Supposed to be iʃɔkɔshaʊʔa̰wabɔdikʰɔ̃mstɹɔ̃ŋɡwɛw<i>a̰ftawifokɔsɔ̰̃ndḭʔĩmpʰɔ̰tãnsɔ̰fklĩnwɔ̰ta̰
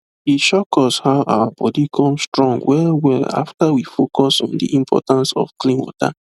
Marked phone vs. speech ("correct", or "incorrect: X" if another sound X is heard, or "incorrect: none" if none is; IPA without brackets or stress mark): incorrect: ɛ